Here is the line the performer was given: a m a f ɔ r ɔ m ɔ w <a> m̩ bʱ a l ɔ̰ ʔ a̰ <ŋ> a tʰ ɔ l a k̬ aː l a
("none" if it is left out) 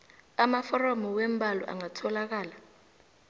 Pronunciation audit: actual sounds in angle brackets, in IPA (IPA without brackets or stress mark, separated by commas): e, ŋ